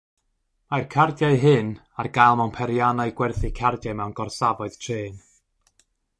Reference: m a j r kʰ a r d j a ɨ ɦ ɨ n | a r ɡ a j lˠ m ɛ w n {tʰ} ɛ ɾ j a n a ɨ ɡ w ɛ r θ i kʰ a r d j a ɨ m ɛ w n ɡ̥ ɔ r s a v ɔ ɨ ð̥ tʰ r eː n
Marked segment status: incorrect: pʰ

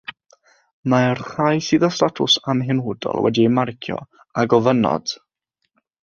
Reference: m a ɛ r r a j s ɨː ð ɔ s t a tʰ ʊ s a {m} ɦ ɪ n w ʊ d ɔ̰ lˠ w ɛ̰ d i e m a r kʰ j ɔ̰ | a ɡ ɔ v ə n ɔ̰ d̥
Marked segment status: correct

